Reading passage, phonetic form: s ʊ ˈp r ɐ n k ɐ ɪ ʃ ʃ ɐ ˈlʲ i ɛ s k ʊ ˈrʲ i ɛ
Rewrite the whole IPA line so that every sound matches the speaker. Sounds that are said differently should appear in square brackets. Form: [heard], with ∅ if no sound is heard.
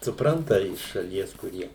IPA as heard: s ʊ ˈp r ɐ n [t] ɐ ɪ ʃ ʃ ɐ ˈlʲ i ɛ s k ʊ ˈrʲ i ɛ